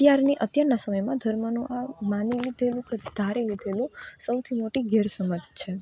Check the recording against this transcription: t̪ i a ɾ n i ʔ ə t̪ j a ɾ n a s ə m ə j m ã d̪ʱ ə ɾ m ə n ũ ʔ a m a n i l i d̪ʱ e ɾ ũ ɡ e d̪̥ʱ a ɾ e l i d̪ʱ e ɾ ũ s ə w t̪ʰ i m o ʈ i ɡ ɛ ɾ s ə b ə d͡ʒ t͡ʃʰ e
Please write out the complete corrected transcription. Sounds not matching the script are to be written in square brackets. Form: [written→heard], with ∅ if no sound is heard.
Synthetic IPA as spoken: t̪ [i→j] a ɾ n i ʔ ə t̪ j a ɾ n a s ə m ə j m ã d̪ʱ ə ɾ m ə n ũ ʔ a m a n i l i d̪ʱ e [ɾ→l] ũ [ɡ→k] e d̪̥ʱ a ɾ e l i d̪ʱ e [ɾ→l] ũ s ə w t̪ʰ i m o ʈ i ɡ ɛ ɾ s ə [b→m] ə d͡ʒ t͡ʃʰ e

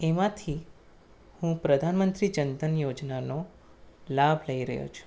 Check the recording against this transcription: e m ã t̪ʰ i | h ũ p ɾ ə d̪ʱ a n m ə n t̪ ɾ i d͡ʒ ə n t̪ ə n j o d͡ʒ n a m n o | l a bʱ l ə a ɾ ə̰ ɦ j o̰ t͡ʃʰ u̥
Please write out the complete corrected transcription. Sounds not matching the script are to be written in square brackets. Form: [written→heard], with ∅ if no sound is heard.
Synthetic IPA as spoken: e m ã t̪ʰ i | h ũ p ɾ ə d̪ʱ a n m ə n t̪ ɾ i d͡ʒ ə n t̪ ə n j o d͡ʒ n a [m→∅] n o | l a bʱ l ə [a→i] ɾ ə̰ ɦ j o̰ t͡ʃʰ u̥

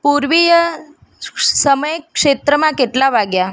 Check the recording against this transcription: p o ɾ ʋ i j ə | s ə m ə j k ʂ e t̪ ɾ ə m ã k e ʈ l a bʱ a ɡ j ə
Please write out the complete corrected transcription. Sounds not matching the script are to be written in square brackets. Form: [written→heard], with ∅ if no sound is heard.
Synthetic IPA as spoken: p [o→u] ɾ ʋ i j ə | s ə m ə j k ʂ e t̪ ɾ ə m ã k e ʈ l a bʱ a ɡ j [ə→a]

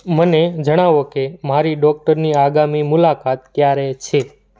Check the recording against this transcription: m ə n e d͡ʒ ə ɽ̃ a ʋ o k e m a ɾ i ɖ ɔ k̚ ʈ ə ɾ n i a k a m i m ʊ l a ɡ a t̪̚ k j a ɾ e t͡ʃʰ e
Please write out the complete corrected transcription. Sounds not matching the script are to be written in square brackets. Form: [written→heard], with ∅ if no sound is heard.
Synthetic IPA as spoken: m ə n e d͡ʒ ə ɽ̃ a ʋ o k e m a ɾ i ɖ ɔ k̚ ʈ ə ɾ n i a [k→ɡ] a m i m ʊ l a [ɡ→k] a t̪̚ k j a ɾ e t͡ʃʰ e

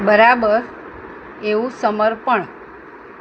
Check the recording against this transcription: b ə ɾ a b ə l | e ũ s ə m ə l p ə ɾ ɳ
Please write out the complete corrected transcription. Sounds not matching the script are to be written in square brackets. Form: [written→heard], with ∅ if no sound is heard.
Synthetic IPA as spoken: b ə ɾ a b ə [l→ɾ] | e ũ s ə m ə [l→ɾ] p ə [ɾ→∅] ɳ

